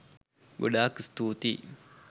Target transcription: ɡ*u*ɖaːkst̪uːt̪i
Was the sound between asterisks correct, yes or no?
no